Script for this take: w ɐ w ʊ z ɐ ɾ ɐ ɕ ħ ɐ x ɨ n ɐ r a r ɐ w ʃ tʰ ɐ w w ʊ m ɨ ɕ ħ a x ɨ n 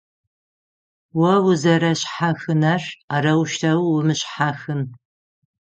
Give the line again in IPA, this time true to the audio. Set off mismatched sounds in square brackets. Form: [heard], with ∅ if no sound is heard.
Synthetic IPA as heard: w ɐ w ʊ z ɐ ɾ ɐ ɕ ħ [a] x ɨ n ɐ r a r ɐ w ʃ tʰ ɐ w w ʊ m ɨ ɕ ħ a x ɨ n